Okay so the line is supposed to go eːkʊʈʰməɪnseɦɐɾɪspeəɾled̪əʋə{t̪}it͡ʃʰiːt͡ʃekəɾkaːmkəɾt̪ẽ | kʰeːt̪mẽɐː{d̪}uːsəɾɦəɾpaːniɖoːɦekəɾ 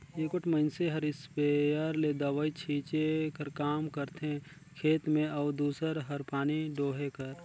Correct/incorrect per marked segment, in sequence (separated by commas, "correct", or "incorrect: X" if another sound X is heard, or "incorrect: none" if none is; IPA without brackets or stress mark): incorrect: none, correct